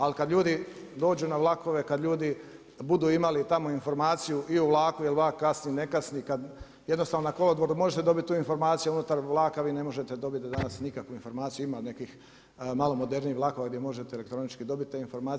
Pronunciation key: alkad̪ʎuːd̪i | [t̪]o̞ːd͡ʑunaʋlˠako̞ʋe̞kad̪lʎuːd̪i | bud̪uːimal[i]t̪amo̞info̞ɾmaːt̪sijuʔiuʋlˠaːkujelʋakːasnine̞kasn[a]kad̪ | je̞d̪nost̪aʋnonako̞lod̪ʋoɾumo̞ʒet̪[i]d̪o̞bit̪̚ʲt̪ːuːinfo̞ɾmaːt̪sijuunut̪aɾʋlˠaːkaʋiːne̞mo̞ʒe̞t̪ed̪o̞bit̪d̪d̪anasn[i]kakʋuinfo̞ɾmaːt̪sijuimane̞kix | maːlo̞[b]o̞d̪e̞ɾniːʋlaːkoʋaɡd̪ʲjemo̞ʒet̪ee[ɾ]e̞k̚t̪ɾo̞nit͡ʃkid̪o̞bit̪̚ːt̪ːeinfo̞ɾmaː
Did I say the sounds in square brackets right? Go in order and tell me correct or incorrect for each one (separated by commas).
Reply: incorrect, correct, incorrect, incorrect, correct, incorrect, incorrect